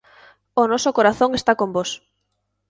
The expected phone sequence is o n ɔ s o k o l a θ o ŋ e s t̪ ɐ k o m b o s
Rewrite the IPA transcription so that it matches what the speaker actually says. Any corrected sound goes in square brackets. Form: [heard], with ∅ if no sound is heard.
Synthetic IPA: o n ɔ s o k o [ɾ] a θ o ŋ e s t̪ [a] k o m b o s